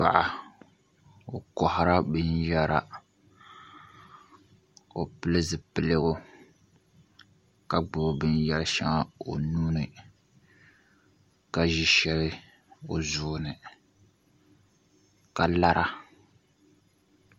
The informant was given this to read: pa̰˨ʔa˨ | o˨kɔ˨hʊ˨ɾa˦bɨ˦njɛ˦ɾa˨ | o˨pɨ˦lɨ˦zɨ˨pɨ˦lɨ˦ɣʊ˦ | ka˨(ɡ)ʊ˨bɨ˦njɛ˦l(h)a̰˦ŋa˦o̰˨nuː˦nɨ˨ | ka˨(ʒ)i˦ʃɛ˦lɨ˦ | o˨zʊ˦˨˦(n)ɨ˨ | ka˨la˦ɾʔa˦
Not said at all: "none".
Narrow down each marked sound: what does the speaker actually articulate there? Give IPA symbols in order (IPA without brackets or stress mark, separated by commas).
ɡ͡b, ʃ, ʒ, n